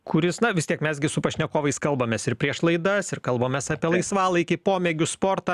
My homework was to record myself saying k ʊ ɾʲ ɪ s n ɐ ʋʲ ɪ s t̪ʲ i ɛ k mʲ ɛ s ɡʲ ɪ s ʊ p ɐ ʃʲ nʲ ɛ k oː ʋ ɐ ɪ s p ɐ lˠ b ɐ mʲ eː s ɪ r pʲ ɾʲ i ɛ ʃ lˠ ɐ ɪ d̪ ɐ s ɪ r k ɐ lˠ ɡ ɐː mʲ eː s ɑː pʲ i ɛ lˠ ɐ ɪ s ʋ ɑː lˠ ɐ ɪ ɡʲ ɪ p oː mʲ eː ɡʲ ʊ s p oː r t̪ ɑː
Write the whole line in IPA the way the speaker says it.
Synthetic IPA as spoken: k ʊ ɾʲ ɪ s n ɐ ʋʲ ɪ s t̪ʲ i ɛ k mʲ ɛ s ɡʲ ɪ s ʊ p ɐ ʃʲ nʲ ɛ k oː ʋ ɐ ɪ s k ɐ lˠ b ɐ mʲ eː s ɪ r pʲ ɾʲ i ɛ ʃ lˠ ɐ ɪ d̪ ɐ s ɪ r k ɐ lˠ b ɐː mʲ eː s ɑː pʲ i ɛ lˠ ɐ ɪ s ʋ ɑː lˠ ɐ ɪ kʲ ɪ p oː mʲ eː ɡʲ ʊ s p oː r t̪ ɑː